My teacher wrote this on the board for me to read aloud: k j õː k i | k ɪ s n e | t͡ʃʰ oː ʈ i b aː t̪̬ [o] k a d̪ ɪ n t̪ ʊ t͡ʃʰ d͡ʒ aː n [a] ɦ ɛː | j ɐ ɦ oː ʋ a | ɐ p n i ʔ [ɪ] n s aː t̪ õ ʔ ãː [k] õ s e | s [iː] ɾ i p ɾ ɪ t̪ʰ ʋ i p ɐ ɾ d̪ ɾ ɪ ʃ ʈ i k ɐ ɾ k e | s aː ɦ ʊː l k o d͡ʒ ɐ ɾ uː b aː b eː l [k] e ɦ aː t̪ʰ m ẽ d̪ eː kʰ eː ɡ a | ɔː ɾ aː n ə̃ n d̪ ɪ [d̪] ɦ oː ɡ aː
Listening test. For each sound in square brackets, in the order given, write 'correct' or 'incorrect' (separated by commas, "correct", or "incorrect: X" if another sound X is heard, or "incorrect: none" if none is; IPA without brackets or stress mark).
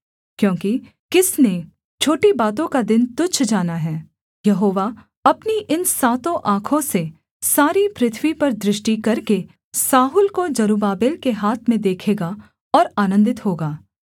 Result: incorrect: õ, correct, correct, incorrect: kʰ, incorrect: aː, correct, incorrect: t̪